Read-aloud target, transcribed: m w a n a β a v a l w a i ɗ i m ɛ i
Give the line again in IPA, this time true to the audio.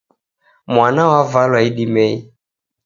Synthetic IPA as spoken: m w a n a w a v a l w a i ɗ i m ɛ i